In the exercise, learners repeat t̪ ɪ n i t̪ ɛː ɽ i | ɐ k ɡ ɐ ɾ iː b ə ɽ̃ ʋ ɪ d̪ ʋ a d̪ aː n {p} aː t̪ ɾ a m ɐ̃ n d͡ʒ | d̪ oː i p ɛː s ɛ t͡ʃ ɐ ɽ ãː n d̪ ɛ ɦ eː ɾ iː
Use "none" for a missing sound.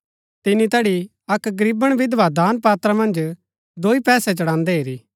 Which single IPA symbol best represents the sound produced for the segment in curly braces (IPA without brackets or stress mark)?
p